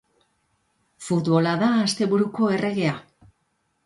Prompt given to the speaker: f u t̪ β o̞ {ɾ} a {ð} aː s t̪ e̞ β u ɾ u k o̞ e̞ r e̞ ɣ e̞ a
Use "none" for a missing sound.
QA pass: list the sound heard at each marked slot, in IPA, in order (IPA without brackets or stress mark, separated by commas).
l, ð